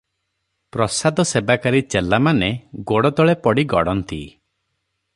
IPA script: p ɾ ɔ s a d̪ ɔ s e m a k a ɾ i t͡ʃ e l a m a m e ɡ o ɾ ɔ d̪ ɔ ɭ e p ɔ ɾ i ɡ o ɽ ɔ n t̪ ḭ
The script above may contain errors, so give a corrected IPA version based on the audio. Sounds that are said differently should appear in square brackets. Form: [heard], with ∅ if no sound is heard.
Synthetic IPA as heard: p ɾ ɔ s a d̪ ɔ s e [b] a k a ɾ i t͡ʃ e l a m a [n] e ɡ o [ɽ] ɔ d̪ ɔ ɭ e p ɔ [ɽ] i ɡ [ɔ] ɽ ɔ n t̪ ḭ